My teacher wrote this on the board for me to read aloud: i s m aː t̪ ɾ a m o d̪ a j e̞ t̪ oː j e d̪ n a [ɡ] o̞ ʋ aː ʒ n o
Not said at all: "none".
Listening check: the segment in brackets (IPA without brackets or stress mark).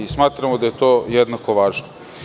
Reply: k